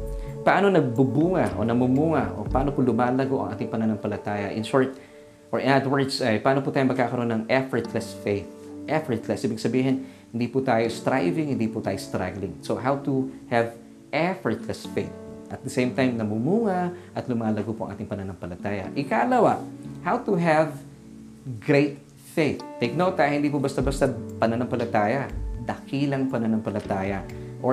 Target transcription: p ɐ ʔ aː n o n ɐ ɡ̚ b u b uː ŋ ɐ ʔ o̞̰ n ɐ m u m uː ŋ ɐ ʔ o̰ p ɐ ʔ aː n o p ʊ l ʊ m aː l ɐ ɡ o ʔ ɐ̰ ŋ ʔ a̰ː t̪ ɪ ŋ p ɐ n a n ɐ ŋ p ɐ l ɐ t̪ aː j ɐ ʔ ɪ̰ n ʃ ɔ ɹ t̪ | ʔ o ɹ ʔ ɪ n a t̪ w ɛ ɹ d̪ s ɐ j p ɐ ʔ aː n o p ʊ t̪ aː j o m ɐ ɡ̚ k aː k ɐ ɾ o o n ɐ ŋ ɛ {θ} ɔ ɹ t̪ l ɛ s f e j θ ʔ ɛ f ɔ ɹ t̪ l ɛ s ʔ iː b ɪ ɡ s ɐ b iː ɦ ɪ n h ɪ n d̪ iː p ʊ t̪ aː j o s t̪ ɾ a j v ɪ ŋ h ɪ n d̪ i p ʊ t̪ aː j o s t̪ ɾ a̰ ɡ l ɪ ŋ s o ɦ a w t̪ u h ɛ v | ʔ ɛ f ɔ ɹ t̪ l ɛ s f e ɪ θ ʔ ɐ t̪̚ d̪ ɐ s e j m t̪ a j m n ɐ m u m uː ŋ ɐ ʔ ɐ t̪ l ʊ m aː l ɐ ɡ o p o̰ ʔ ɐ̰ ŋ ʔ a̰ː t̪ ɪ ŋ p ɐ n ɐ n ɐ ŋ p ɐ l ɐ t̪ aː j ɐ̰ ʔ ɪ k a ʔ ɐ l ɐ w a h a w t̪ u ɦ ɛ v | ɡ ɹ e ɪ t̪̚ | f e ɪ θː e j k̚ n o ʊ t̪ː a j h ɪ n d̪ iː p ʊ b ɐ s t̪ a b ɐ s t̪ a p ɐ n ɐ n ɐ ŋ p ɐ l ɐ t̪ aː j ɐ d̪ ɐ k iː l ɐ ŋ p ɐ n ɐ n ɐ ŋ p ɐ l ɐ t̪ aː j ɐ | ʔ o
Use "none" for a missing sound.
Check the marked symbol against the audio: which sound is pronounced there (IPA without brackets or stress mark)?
f